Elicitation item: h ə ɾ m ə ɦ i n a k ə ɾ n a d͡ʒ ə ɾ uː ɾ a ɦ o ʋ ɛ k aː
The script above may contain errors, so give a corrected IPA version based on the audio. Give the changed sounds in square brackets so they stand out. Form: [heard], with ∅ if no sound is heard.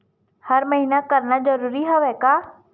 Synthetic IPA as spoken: h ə ɾ m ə ɦ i n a k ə ɾ n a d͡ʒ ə ɾ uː ɾ [i] ɦ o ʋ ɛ k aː